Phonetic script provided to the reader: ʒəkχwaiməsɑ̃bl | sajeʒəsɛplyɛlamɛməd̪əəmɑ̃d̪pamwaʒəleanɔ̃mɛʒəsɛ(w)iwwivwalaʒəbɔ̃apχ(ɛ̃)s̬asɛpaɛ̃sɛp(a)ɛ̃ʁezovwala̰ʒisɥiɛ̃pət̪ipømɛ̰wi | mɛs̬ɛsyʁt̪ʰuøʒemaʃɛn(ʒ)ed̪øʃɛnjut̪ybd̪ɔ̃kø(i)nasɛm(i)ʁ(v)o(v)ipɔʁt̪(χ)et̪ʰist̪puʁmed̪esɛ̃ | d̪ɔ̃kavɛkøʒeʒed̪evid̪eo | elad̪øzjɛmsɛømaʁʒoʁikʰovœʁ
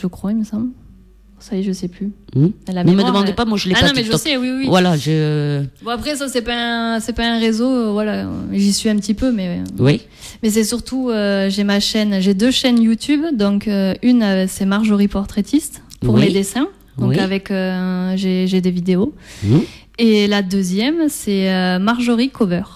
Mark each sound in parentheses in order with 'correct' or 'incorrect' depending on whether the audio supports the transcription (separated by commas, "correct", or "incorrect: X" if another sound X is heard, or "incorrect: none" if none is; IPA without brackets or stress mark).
correct, incorrect: ɛ, correct, correct, incorrect: y, incorrect: a, incorrect: ʒ, incorrect: ʁ, correct